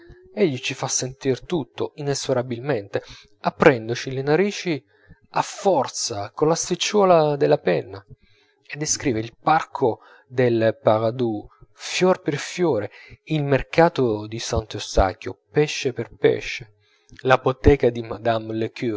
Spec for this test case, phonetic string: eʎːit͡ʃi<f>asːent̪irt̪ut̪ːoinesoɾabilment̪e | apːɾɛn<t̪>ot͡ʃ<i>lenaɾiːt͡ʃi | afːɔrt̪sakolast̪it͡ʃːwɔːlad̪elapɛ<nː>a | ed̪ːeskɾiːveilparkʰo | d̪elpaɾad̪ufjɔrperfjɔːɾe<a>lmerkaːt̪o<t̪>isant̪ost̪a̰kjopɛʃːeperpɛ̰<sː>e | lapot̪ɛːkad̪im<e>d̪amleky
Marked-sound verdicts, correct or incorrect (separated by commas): correct, incorrect, correct, correct, incorrect, incorrect, incorrect, incorrect